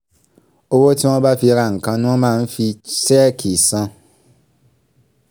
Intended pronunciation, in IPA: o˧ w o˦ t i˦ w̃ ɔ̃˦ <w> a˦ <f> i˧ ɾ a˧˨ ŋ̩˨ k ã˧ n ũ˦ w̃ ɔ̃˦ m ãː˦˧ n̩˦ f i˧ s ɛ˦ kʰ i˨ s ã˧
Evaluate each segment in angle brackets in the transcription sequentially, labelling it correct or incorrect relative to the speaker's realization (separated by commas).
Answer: incorrect, correct